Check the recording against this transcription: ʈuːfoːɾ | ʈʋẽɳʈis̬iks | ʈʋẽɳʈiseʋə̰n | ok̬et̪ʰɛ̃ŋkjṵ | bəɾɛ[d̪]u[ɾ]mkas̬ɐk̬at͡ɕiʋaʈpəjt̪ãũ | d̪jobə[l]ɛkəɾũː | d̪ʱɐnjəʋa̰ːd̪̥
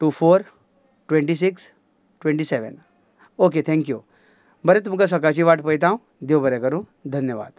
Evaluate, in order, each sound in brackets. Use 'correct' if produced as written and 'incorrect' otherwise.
incorrect, incorrect, incorrect

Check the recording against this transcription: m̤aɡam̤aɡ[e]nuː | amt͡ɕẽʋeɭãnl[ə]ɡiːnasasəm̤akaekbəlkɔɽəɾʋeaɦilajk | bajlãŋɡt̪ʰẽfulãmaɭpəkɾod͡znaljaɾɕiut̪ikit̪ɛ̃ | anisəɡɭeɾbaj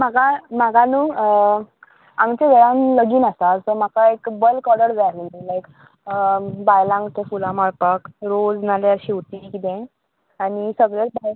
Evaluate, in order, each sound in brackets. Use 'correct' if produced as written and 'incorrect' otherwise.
incorrect, correct

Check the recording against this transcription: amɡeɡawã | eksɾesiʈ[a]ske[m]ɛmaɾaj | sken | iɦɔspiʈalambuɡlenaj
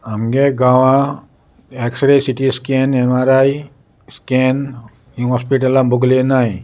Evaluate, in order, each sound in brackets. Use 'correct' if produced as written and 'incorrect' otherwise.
incorrect, incorrect

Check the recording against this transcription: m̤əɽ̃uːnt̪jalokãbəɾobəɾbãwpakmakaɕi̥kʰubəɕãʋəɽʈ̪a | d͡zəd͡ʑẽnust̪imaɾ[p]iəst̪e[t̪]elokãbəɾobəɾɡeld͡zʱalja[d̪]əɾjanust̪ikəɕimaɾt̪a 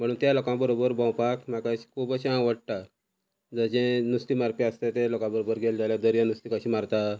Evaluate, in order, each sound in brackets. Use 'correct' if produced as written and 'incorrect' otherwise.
correct, correct, correct

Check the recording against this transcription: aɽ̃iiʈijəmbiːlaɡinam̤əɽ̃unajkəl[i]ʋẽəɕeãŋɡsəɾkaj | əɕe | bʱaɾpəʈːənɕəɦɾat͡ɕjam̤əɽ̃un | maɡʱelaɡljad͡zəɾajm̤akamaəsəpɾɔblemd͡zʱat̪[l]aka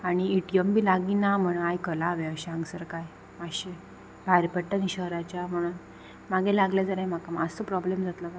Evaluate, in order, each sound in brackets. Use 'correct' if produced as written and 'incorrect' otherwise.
incorrect, correct

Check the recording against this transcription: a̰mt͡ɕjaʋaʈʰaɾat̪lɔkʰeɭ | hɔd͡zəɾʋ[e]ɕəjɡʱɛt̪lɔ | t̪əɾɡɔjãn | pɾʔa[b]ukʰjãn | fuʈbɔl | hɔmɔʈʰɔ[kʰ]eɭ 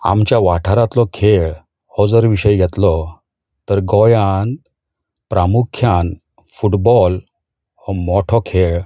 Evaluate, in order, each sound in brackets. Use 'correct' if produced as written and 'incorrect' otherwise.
incorrect, incorrect, correct

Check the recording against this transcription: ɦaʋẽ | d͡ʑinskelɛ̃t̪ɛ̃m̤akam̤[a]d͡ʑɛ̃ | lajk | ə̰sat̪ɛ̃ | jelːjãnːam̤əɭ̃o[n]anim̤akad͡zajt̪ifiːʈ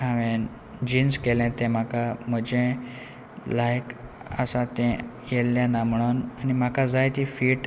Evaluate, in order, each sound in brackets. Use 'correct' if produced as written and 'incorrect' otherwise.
incorrect, correct

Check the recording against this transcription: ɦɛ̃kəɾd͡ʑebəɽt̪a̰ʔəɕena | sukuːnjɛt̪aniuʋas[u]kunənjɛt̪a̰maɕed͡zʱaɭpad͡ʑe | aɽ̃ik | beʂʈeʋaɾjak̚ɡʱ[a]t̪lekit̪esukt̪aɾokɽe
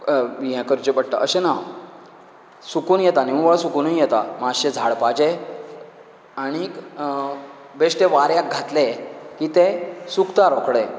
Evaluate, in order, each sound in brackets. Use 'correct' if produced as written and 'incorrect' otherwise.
correct, correct

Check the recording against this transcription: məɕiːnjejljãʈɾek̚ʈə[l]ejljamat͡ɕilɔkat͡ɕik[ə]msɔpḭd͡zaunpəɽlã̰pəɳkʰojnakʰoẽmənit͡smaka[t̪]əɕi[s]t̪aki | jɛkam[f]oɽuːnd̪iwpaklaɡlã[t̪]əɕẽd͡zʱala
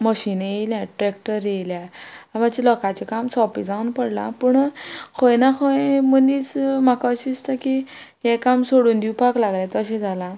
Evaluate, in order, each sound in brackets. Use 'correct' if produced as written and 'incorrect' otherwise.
incorrect, incorrect, incorrect, correct, incorrect, correct

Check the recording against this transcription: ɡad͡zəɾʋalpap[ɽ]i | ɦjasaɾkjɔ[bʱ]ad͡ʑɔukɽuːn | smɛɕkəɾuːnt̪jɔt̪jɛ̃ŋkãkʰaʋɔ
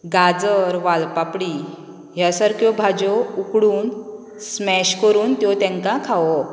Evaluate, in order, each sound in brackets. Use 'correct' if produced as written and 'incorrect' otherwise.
correct, correct

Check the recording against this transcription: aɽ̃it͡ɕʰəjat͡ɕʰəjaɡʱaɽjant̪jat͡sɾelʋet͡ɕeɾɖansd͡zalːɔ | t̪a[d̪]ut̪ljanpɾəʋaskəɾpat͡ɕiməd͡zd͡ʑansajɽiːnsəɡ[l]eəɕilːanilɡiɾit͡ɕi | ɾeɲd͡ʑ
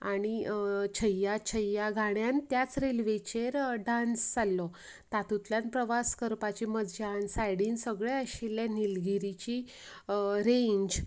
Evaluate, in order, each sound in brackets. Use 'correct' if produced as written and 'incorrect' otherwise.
incorrect, incorrect

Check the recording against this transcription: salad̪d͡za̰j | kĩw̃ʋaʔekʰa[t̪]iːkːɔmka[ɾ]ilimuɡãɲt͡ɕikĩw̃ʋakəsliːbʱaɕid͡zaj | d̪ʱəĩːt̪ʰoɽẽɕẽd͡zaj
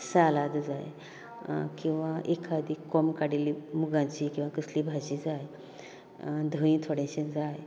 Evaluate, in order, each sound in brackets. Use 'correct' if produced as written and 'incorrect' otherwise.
incorrect, incorrect

